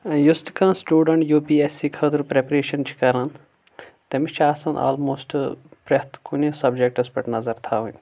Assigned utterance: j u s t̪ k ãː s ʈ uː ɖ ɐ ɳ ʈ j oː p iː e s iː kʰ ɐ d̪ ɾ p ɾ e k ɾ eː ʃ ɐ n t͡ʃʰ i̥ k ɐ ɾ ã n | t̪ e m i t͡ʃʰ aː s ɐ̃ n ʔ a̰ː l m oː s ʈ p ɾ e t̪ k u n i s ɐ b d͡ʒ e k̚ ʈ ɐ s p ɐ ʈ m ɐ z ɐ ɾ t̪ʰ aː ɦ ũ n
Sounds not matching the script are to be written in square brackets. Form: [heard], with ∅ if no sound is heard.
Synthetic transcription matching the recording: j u s t̪ k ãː s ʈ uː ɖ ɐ ɳ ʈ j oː p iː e s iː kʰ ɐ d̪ ɾ p ɾ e [p] ɾ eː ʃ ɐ n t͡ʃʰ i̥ k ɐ ɾ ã n | t̪ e m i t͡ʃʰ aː s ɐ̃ n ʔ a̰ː l m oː s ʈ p ɾ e t̪ k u n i s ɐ b d͡ʒ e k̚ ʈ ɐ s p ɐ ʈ [n] ɐ z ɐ ɾ t̪ʰ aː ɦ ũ n